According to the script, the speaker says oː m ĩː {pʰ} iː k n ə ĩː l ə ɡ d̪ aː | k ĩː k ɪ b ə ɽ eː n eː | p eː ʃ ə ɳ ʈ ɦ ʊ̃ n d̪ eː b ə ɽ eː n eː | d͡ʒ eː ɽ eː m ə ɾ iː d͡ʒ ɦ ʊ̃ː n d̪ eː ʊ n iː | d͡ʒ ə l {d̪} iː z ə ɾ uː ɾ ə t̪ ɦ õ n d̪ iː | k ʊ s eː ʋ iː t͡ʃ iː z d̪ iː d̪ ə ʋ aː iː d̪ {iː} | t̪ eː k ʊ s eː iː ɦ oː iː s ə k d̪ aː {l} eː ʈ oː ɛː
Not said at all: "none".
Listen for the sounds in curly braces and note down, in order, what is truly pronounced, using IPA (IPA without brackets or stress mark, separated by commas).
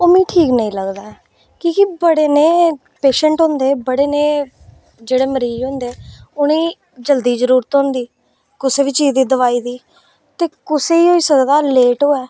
ʈʰ, d̪, iː, l